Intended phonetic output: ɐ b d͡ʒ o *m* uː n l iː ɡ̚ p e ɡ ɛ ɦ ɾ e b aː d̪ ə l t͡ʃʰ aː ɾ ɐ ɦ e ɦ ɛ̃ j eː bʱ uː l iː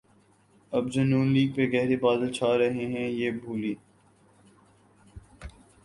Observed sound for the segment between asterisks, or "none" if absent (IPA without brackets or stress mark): n